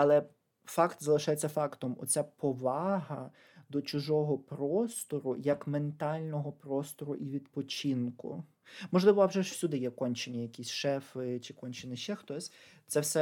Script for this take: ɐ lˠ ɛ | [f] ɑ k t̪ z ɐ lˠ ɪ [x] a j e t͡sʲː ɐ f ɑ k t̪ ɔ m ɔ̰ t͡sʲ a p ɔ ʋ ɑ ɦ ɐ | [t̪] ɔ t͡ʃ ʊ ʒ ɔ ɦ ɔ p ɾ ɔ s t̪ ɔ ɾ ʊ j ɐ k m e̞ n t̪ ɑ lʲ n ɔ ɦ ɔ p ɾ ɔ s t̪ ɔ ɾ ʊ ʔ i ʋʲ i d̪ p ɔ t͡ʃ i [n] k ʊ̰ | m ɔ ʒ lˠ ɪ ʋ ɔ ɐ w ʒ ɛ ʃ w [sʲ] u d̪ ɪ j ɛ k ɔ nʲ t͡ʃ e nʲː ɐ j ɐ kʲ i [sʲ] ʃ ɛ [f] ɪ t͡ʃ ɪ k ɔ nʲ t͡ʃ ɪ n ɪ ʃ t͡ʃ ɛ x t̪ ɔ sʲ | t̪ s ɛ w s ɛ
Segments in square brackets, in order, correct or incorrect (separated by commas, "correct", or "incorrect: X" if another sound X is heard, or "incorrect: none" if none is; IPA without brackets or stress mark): correct, incorrect: ʃ, incorrect: d̪, correct, correct, correct, correct